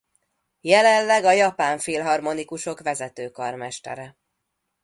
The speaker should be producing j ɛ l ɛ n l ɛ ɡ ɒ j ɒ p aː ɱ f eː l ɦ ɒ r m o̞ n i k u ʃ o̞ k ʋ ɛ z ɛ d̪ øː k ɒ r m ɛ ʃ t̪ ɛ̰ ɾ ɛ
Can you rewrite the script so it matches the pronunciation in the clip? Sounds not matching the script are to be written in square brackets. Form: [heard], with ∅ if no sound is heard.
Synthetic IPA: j ɛ l ɛ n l ɛ ɡ ɒ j ɒ p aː ɱ f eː l ɦ ɒ r m o̞ n i k u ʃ o̞ k ʋ ɛ z ɛ [t̪] øː k ɒ r m ɛ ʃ t̪ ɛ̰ ɾ ɛ